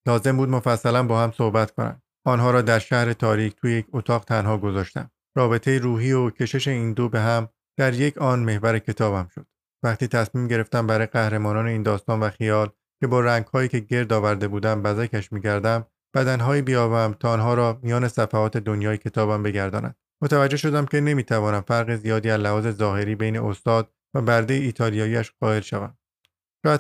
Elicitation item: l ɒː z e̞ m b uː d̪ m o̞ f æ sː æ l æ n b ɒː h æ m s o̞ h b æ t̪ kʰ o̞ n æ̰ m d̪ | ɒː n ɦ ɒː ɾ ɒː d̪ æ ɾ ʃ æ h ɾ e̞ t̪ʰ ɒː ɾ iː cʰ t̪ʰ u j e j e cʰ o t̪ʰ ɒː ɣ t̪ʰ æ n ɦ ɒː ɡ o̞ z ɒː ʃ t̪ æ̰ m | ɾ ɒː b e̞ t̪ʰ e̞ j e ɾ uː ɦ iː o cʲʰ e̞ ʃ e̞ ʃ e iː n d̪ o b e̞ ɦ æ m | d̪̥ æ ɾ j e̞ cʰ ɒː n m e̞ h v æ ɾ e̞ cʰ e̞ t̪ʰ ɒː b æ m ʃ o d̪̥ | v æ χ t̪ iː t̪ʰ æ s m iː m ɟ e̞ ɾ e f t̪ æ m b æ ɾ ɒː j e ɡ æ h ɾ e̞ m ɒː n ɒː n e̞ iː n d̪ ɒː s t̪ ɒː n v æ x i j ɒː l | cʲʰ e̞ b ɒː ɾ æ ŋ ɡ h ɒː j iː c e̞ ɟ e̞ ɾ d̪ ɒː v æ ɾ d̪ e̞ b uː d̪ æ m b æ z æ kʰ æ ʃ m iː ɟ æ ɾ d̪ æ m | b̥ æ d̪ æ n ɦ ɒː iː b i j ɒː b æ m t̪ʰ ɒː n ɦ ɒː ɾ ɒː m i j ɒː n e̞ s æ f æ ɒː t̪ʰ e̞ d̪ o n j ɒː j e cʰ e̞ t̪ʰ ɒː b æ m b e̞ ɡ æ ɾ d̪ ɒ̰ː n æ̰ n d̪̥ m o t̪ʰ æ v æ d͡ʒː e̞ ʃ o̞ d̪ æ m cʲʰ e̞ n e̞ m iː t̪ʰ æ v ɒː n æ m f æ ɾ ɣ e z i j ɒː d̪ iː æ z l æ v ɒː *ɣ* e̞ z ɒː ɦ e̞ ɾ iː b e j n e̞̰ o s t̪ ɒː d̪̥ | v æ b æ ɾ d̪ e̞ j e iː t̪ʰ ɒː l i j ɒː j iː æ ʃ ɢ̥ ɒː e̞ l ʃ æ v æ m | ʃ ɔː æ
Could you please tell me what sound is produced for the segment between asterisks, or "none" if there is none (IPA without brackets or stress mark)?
z